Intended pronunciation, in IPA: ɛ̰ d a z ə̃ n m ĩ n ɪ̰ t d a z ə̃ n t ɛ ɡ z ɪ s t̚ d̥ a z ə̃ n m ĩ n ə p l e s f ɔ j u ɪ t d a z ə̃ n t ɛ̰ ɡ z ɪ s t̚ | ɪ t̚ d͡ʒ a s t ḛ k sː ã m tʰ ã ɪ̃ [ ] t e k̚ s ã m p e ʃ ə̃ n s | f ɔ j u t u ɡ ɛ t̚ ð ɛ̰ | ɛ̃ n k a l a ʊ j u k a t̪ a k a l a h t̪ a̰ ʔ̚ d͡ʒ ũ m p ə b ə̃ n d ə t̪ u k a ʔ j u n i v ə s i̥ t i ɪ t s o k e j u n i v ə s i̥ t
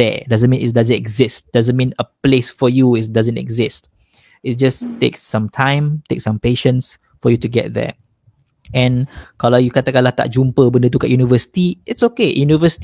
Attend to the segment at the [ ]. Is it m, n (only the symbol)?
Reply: m